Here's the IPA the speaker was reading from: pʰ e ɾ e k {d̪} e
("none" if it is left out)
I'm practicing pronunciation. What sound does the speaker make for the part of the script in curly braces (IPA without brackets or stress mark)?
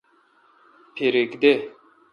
d̪